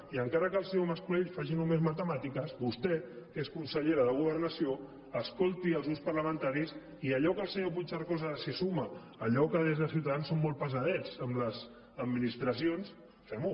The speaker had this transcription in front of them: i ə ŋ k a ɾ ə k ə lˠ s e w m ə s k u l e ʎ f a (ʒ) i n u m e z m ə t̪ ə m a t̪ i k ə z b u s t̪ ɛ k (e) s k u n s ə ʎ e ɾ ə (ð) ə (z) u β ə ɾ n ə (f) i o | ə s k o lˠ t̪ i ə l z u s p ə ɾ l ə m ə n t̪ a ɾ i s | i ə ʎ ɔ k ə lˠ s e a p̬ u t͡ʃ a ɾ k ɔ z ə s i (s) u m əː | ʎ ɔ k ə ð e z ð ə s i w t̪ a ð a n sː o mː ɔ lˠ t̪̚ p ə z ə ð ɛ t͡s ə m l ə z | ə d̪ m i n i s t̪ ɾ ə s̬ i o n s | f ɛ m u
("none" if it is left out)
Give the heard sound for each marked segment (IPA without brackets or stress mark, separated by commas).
ʒ, e, ð, ɣ, s, s